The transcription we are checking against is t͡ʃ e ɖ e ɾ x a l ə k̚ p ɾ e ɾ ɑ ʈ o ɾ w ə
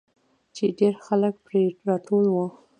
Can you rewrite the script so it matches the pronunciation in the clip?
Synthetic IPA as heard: t͡ʃ e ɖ e ɾ x a l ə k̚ p ɾ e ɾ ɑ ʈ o l w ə